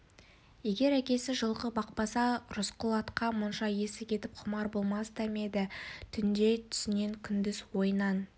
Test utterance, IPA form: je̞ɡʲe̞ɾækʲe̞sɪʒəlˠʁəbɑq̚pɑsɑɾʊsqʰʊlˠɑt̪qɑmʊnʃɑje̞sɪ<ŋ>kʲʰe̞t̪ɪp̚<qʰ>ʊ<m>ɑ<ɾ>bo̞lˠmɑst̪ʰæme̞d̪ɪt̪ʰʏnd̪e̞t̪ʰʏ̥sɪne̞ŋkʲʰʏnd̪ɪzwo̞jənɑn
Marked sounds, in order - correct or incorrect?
incorrect, correct, correct, correct

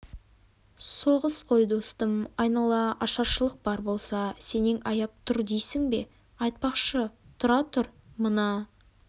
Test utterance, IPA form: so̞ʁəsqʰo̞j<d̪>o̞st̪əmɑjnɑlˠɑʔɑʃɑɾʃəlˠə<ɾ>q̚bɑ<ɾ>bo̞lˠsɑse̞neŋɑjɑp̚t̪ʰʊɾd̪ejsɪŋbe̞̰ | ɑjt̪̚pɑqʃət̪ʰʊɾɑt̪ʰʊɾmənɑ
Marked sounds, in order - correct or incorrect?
correct, incorrect, correct

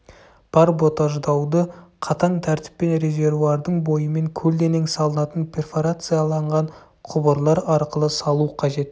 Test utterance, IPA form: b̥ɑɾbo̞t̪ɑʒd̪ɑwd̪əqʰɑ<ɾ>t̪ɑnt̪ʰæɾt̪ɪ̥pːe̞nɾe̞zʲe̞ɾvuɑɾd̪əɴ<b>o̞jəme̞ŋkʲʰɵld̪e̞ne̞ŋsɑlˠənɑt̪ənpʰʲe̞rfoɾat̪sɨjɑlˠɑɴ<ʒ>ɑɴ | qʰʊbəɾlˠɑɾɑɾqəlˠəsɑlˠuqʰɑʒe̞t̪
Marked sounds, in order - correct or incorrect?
incorrect, correct, incorrect

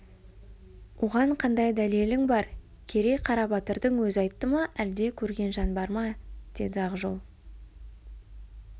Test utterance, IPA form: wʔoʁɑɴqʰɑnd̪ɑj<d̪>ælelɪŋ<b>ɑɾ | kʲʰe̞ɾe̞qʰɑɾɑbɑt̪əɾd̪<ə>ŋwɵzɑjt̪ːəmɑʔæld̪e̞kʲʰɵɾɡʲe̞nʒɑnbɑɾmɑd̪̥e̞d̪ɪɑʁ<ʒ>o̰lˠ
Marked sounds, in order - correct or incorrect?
correct, correct, correct, correct

